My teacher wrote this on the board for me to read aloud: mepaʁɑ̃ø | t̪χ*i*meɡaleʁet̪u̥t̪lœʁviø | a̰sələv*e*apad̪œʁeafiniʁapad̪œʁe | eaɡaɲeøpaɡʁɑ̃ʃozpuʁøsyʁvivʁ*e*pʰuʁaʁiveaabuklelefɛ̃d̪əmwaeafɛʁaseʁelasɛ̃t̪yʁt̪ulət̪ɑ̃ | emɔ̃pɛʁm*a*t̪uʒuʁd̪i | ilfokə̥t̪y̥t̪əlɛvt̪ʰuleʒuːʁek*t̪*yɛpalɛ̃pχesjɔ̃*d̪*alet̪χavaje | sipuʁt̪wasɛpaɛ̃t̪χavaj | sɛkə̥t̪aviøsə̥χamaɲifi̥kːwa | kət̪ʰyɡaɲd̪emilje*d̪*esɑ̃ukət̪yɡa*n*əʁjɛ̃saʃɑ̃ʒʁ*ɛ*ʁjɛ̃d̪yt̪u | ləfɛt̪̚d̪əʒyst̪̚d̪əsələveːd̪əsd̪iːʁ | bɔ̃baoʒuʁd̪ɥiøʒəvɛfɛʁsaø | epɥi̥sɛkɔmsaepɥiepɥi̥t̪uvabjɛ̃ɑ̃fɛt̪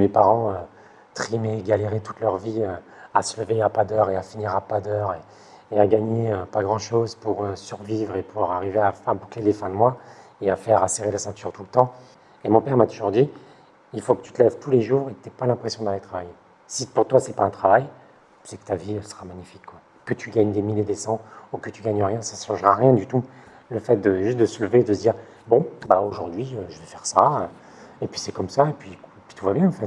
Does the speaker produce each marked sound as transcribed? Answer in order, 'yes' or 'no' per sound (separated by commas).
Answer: yes, yes, yes, yes, yes, yes, yes, no, no